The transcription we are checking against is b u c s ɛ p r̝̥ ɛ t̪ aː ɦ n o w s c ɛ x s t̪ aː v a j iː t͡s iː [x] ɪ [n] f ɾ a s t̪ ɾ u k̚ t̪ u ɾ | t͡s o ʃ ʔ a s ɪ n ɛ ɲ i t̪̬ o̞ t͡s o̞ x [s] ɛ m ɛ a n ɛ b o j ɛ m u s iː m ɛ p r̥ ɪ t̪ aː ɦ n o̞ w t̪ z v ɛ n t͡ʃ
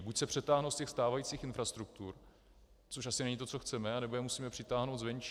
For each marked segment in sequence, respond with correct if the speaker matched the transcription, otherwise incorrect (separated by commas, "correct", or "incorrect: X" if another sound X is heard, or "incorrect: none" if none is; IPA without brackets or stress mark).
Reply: correct, correct, incorrect: t͡s